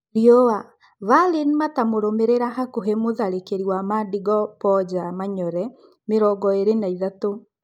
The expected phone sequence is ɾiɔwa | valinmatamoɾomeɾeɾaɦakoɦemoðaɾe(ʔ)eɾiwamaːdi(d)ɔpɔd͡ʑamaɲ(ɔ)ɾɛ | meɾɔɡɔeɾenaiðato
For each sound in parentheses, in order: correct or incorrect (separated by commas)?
incorrect, incorrect, correct